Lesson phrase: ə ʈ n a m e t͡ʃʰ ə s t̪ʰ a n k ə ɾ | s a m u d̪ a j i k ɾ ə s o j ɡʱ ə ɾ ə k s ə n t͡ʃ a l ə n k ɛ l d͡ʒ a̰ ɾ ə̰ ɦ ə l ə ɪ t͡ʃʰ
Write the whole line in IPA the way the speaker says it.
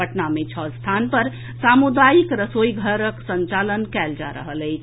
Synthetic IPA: ə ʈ n a m e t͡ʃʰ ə s t̪ʰ a n p ə ɾ | s a m u d̪ a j i k ɾ ə s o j ɡʱ ə ɾ ə k s ə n t͡ʃ a l ə n k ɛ l d͡ʒ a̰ ɾ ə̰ ɦ ə l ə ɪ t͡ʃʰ